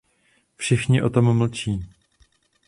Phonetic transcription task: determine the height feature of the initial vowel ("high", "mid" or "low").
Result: high